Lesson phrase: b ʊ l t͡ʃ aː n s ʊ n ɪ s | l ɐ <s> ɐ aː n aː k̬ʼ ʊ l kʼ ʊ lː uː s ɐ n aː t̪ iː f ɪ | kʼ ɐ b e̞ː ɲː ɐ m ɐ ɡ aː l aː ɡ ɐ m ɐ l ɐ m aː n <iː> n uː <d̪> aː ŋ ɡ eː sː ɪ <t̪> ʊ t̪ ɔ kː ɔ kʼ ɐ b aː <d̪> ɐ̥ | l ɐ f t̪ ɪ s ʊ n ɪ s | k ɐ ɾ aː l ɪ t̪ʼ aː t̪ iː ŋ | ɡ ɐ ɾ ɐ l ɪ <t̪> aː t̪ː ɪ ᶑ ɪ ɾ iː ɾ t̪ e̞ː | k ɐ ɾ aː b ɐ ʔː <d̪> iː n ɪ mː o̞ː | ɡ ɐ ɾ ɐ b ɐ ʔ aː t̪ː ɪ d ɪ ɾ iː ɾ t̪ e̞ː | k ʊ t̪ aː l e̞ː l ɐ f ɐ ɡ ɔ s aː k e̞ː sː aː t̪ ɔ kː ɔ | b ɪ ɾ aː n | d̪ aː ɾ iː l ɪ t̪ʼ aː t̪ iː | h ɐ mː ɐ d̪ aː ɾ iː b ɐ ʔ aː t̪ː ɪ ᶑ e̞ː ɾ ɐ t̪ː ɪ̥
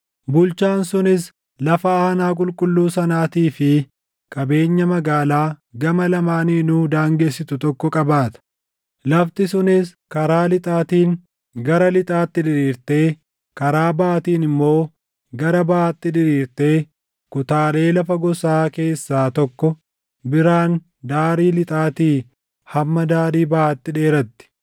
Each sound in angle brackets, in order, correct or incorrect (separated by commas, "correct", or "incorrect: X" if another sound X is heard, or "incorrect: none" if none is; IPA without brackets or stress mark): incorrect: f, correct, correct, correct, incorrect: t̪, incorrect: t̪ʼ, incorrect: t̪